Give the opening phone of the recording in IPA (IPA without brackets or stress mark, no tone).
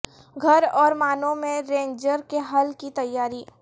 ɡʱ